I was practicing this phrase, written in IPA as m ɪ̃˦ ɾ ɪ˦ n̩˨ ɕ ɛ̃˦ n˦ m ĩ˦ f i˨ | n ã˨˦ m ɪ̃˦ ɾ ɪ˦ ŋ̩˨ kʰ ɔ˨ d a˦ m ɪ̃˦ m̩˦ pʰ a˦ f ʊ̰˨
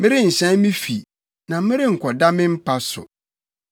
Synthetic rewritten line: m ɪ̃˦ ɾ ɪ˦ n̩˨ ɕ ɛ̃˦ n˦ m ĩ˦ f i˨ | n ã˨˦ m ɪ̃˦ ɾ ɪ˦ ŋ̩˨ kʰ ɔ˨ d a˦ m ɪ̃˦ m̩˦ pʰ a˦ s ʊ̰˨